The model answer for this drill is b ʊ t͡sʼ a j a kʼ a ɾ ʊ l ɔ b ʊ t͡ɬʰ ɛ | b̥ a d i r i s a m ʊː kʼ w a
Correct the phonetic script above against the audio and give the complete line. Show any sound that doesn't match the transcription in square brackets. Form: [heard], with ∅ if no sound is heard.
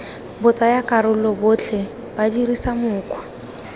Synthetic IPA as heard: b ʊ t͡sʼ a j a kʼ a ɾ ʊ l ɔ b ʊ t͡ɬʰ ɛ | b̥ a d i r i s a m ʊː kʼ w a